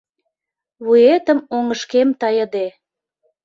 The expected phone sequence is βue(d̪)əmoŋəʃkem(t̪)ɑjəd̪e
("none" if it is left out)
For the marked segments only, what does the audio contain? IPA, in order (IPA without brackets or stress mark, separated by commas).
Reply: t̪, t̪